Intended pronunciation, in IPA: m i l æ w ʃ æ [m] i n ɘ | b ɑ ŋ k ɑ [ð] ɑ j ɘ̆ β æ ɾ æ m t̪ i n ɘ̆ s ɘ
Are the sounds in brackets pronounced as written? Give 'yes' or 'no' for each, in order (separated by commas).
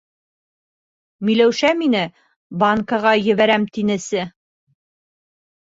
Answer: yes, no